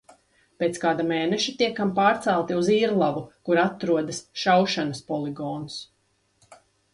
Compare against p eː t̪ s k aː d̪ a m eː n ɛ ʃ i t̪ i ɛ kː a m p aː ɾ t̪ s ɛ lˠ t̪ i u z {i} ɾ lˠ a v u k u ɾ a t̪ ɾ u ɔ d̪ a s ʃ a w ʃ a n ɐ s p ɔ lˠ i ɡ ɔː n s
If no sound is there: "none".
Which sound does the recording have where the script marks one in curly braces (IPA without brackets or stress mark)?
iː